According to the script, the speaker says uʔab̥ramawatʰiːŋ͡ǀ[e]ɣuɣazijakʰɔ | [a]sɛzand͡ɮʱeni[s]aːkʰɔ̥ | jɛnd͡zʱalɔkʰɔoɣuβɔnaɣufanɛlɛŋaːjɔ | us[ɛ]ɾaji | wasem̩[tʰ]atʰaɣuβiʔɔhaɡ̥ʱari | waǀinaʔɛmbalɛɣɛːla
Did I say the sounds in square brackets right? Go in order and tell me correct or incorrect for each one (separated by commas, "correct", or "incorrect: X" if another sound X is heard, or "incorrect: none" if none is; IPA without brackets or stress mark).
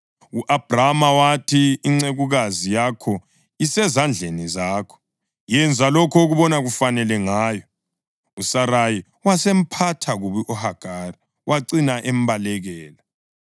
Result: correct, incorrect: i, incorrect: z, incorrect: a, incorrect: pʰ